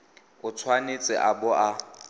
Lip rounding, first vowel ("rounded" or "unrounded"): rounded